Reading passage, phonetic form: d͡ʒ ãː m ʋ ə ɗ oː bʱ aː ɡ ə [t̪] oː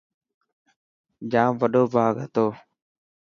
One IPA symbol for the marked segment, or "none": t̪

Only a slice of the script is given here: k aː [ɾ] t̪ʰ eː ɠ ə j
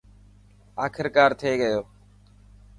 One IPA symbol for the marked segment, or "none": ɾ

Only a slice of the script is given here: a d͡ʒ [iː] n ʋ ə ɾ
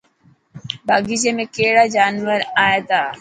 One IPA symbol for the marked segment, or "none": aː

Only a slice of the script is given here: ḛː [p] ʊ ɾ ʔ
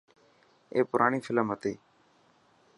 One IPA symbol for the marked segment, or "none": p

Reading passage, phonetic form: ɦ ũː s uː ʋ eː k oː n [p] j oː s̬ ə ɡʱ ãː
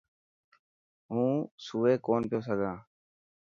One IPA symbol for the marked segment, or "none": p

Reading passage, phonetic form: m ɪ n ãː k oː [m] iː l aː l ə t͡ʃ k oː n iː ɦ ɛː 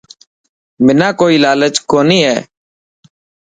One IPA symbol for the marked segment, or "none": none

